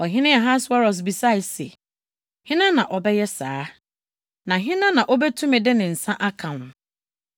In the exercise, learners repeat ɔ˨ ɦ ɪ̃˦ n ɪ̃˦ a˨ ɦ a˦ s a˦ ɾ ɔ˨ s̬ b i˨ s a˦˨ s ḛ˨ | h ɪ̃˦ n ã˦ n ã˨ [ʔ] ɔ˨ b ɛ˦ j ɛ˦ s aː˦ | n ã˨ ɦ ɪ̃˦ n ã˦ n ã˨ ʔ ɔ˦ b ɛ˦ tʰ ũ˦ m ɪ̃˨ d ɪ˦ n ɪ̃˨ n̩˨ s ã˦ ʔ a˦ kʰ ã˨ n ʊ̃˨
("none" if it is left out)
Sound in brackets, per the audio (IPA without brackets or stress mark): ʔ